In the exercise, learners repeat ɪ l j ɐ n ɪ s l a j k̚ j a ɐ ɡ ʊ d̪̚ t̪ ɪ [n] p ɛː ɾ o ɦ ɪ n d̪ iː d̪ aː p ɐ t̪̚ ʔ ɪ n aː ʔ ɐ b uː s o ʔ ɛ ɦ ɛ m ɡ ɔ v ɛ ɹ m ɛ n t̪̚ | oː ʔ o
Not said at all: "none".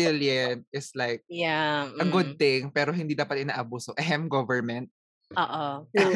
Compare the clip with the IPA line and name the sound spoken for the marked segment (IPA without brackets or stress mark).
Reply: ŋ